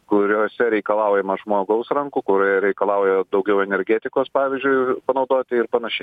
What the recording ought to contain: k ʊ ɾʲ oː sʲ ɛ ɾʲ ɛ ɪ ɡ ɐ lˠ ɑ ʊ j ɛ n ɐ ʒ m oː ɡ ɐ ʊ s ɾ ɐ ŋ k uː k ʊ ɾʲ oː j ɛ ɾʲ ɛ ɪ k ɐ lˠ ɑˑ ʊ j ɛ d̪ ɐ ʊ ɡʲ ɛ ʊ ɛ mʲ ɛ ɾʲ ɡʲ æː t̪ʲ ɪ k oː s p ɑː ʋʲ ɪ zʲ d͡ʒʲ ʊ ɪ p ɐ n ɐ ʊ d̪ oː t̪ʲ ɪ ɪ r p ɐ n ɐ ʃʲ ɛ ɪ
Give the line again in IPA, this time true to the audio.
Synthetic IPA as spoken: k ʊ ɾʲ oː sʲ ɛ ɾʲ ɛ ɪ k ɐ lˠ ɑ ʊ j ɛ m ɐ ʒ m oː ɡ ɐ ʊ s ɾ ɐ ŋ k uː k ʊ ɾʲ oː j ɛ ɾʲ ɛ ɪ k ɐ lˠ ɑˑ ʊ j ɛ d̪ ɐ ʊ ɡʲ ɛ ʊ ɛ nʲ ɛ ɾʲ ɡʲ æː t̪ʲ ɪ k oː s p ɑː ʋʲ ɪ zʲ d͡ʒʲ ʊ ɪ p ɐ n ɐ ʊ d̪ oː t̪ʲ ɪ ɪ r p ɐ n ɐ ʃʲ ɛ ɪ